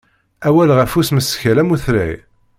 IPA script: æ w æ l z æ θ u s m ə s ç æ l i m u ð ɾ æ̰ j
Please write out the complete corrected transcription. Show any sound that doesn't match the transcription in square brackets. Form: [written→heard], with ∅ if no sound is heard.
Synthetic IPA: æ w æ l [z→ʁ] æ [θ→f] u s m ə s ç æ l [i→æ] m u [ð→θ] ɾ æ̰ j